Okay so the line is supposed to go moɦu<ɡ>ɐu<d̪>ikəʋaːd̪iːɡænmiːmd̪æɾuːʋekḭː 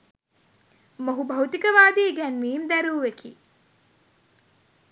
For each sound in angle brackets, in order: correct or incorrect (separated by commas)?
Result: incorrect, incorrect